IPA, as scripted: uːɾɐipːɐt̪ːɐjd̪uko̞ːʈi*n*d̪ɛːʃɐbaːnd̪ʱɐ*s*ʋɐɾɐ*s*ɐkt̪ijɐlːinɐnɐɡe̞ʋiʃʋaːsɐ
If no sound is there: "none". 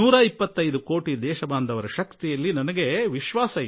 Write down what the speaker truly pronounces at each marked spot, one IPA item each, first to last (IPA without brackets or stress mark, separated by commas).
none, none, ʃ